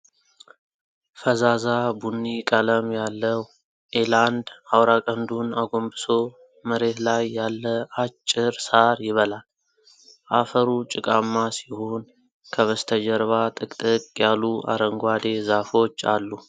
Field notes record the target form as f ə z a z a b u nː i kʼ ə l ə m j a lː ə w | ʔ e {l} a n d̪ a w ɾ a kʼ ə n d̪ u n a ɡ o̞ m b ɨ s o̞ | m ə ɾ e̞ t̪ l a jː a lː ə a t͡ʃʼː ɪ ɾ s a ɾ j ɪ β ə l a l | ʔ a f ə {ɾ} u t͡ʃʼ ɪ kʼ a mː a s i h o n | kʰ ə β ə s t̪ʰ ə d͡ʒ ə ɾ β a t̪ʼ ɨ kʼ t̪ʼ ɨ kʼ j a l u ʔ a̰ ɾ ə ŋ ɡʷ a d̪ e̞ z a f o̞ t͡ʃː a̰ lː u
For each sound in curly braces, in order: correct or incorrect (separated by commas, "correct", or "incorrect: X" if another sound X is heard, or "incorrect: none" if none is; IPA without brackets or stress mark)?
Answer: correct, correct